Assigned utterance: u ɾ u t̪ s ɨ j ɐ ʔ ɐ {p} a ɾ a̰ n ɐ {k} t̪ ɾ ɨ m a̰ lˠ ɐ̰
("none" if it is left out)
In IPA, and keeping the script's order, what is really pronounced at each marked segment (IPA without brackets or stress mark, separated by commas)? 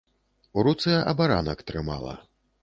b, k